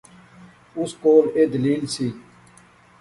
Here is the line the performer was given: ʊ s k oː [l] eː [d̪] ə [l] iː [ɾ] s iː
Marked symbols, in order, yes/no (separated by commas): yes, yes, yes, no